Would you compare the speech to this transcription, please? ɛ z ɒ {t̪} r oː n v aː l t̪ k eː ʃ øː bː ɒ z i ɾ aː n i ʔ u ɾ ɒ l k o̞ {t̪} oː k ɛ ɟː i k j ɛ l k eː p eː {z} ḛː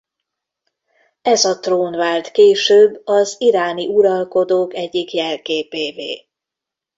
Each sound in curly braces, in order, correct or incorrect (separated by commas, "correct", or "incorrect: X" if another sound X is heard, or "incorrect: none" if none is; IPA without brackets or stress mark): correct, incorrect: d̪, incorrect: v